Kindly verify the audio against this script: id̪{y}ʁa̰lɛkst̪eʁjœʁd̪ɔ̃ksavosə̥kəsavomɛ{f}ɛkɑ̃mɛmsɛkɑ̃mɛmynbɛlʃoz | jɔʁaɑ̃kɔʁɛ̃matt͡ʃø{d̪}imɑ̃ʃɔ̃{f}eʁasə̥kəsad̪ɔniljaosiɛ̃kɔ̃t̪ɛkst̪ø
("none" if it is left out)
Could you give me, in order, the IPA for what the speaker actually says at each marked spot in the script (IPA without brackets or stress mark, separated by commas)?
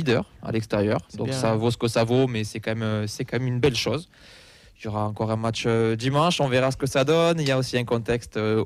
œ, s, d̪, v